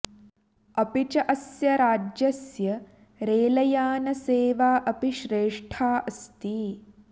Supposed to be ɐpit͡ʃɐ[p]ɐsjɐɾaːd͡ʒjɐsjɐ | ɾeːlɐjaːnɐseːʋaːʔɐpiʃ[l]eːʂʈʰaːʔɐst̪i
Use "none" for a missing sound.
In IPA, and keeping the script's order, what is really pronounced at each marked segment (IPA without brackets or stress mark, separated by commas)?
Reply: ʔ, ɾ